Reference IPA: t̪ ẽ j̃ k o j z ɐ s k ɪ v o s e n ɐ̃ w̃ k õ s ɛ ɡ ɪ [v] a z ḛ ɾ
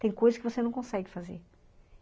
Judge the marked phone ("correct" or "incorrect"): incorrect